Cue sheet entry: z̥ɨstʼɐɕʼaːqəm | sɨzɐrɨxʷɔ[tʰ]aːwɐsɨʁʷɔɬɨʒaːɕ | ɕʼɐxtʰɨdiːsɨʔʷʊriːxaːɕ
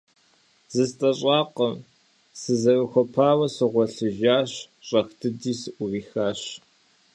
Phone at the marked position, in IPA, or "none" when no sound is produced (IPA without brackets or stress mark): pʰ